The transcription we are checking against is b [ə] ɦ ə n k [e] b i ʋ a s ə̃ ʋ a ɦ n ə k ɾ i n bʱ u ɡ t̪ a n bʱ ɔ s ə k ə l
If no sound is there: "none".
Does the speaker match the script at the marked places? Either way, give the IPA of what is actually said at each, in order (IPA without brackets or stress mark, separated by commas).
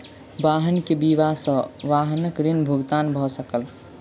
a, e